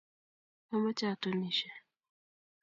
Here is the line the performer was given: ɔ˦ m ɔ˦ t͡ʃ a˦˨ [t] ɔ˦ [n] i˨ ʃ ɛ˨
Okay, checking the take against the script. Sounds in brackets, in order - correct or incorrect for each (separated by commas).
correct, correct